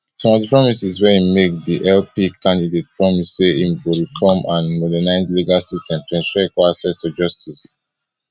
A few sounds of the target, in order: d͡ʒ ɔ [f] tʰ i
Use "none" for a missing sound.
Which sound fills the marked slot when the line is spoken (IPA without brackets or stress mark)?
s